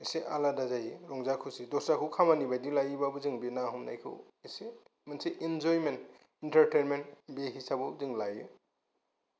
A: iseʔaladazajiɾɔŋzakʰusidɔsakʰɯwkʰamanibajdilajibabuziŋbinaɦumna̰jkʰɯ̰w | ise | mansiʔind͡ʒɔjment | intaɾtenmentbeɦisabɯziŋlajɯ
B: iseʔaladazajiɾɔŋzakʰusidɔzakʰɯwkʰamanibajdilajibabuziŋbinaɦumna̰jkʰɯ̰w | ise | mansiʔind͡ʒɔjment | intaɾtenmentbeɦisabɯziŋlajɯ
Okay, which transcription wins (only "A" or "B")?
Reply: A